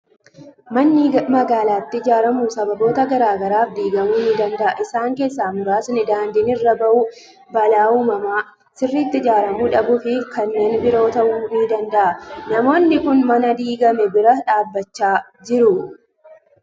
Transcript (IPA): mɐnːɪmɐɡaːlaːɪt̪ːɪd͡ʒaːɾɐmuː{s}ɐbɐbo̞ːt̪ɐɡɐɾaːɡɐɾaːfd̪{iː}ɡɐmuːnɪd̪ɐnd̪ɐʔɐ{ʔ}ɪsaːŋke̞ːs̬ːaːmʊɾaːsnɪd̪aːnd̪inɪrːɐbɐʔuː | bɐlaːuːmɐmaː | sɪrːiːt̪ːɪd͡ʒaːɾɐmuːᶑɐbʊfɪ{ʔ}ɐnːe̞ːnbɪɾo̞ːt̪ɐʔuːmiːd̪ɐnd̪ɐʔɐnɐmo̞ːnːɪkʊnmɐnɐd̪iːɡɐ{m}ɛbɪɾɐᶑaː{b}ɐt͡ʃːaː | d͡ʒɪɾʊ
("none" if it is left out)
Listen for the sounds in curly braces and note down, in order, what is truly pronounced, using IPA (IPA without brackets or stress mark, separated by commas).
s, iː, ʔ, k, m, bː